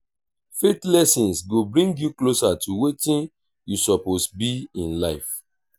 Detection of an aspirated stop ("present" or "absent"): absent